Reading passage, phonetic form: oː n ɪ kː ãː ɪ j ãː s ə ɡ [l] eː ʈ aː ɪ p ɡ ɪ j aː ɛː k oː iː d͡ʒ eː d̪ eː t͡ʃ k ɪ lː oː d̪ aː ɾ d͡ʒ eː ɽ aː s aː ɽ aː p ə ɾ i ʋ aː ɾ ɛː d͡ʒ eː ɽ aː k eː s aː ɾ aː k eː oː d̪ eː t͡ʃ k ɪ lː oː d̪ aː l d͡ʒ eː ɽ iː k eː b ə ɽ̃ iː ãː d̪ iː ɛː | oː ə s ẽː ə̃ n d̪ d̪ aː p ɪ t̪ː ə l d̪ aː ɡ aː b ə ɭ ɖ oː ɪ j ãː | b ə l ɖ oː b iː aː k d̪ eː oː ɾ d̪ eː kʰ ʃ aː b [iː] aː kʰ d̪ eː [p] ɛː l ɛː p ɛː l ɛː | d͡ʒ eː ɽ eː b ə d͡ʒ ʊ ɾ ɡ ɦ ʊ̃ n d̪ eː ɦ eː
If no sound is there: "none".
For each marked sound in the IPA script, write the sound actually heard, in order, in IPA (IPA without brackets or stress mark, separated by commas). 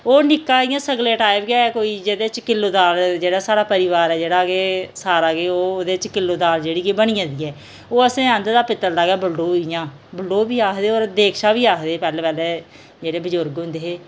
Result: l, iː, p